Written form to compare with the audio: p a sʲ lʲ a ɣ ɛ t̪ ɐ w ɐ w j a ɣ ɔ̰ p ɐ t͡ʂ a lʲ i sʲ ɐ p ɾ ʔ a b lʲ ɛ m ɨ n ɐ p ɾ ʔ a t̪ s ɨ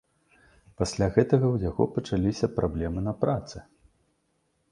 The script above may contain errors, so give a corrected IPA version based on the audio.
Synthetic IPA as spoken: p a sʲ lʲ a ɣ ɛ t̪ ɐ ɣ ɐ w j a ɣ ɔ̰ p ɐ t͡ʂ a lʲ i sʲ ɐ p ɾ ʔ a b lʲ ɛ m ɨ n ɐ p ɾ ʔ a t̪ s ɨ